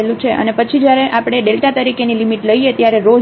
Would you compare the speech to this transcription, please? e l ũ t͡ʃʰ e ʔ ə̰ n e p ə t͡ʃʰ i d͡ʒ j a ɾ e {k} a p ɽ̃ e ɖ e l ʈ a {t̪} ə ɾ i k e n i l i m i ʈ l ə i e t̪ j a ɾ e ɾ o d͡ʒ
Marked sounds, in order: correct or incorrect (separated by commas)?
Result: incorrect, correct